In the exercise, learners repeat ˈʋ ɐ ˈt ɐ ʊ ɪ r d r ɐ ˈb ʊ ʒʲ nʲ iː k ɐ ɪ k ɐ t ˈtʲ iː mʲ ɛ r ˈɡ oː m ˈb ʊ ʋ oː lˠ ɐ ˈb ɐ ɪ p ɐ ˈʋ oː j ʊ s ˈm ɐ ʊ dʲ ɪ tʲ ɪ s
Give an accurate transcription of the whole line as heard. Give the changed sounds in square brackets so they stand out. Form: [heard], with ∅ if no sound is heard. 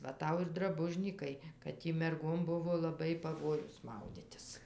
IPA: ˈʋ ɐ ˈt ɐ ʊ ɪ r d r ɐ ˈb ʊ ʒʲ nʲ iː k ɐ ɪ k ɐ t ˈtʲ iː mʲ ɛ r ˈɡ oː m ˈb ʊ ʋ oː lˠ ɐ ˈb ɐ ɪ p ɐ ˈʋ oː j ʊ s ˈm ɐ ʊ dʲ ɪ tʲ ɪ s